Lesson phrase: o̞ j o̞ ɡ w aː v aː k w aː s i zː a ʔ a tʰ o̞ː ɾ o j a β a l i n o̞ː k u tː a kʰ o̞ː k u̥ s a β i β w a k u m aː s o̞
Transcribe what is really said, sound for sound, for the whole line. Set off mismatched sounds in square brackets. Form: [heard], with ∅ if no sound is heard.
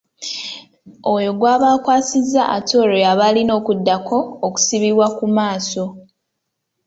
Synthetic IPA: o̞ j o̞ ɡ w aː [β] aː k w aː s i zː a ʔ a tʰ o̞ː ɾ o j a β a l i n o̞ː k u [dː] a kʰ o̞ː k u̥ s [i] β i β w a k u m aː s o̞